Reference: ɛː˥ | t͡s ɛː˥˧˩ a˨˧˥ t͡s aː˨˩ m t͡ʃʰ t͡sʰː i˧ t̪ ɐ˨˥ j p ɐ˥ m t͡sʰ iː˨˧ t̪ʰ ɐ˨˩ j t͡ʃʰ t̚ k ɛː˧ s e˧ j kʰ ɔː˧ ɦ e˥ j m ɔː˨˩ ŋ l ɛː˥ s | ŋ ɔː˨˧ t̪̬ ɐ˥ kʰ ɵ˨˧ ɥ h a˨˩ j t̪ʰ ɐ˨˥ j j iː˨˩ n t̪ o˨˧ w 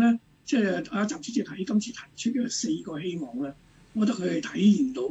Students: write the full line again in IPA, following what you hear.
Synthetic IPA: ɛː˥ | t͡s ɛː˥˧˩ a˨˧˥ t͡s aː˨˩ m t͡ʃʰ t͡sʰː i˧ t̪ʰ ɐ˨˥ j k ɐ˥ m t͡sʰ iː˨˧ t̪ʰ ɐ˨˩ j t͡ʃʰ t̚ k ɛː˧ s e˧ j k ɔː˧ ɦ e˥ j m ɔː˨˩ ŋ l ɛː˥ | ŋ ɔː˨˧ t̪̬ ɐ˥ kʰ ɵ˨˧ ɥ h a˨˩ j t̪ʰ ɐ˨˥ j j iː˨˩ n t̪ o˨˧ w